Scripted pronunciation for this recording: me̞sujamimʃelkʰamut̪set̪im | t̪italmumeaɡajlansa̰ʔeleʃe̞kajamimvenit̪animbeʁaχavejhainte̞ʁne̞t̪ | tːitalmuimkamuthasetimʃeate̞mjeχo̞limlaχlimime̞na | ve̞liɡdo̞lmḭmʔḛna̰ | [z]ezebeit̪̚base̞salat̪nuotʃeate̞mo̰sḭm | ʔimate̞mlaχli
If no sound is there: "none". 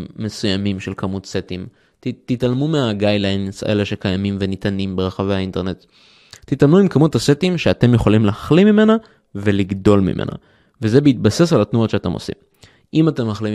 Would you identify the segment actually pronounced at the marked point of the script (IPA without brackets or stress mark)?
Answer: v